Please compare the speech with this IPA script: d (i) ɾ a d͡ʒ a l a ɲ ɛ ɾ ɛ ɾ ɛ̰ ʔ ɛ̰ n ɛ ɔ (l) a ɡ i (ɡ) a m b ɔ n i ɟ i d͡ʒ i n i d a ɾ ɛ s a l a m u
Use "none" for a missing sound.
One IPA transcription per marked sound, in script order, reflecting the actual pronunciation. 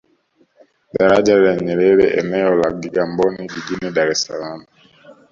a, l, ɡ

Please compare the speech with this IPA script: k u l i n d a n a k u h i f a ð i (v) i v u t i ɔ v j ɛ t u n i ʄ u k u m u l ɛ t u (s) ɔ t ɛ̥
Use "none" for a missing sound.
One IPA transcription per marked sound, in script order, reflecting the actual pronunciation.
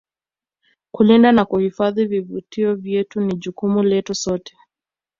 v, s

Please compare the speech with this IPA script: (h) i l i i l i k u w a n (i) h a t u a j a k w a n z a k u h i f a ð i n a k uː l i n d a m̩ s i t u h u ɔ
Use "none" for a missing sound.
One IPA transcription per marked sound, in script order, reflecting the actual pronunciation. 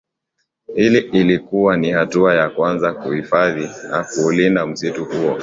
h, i

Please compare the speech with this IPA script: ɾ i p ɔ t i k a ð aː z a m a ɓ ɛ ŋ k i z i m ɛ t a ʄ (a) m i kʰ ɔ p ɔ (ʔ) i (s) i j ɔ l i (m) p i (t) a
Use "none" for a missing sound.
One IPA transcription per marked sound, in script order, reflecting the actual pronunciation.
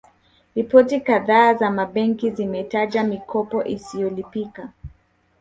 a, ʔ, s, none, k

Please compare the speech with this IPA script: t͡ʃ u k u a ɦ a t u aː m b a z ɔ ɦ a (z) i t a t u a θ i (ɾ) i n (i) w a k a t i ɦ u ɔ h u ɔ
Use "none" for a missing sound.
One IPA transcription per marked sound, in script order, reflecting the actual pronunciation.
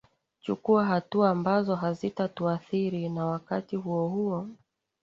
z, ɾ, a

